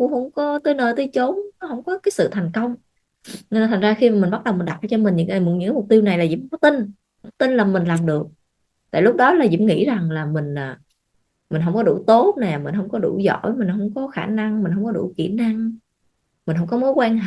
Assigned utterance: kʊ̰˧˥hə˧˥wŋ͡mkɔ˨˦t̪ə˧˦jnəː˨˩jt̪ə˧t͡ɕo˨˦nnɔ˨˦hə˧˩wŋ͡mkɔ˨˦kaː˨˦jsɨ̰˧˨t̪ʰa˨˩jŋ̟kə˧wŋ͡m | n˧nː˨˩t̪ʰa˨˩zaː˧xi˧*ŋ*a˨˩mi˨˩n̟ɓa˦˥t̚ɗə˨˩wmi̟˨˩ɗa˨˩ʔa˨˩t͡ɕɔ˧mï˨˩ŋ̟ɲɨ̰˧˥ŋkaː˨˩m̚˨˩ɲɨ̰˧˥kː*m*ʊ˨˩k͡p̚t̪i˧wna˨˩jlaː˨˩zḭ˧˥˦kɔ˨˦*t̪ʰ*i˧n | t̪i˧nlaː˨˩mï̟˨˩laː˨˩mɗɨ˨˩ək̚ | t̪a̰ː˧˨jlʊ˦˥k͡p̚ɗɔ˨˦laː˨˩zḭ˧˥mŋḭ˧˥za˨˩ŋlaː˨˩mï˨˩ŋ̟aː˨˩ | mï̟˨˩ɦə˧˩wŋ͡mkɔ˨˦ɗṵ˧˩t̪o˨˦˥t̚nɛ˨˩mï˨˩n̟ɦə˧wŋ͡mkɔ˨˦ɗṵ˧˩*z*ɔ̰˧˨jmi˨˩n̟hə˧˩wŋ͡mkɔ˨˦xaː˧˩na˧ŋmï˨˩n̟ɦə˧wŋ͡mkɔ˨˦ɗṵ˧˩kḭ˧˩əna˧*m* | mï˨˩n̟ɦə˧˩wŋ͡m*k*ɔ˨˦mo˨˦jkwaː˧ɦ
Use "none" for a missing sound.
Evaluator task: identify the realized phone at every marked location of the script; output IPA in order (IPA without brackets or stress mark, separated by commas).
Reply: m, m, t̪, z, ŋ, k